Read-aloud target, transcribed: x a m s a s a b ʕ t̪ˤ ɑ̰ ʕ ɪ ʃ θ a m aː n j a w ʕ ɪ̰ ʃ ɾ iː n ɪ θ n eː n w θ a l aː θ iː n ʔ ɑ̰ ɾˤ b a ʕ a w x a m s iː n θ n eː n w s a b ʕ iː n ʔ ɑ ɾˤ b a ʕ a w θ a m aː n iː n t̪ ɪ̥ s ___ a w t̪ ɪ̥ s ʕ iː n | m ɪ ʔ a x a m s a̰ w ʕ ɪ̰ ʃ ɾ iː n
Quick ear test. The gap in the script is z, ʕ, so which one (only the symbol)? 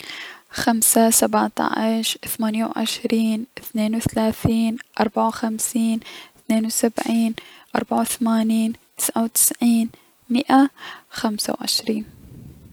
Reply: ʕ